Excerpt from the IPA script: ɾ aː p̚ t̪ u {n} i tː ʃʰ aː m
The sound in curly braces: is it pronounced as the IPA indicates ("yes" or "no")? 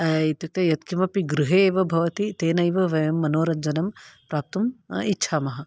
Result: no